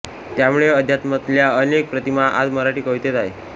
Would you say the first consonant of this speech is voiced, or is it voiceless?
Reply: voiceless